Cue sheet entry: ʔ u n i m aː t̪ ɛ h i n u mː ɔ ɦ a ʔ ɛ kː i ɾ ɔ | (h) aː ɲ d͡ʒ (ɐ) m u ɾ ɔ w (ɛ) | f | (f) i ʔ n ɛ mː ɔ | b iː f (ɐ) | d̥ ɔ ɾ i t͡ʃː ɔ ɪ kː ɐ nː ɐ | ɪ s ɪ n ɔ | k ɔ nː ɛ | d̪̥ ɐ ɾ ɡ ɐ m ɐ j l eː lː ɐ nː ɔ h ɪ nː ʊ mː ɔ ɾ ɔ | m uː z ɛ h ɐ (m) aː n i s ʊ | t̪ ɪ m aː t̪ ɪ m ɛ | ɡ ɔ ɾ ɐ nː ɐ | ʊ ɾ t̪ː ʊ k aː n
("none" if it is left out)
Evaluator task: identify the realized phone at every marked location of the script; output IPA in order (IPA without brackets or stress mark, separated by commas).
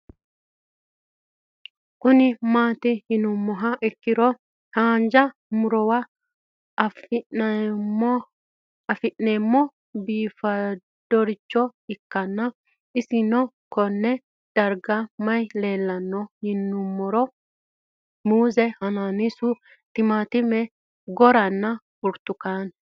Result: h, a, a, f, a, n